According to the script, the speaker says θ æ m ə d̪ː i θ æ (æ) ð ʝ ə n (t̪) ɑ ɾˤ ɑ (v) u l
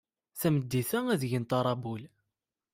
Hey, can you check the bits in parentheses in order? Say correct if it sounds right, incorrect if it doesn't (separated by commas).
correct, correct, incorrect